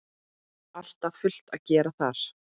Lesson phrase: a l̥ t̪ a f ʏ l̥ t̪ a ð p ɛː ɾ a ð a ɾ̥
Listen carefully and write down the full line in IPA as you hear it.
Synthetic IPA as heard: a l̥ t̪ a f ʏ l̥ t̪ a ð c ɛː ɾ a θ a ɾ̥